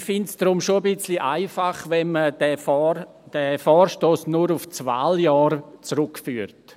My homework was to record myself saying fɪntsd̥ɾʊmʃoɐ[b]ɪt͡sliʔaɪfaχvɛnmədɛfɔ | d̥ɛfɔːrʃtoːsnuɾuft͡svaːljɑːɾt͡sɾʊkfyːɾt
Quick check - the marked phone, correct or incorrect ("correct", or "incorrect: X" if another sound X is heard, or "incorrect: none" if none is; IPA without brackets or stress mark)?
correct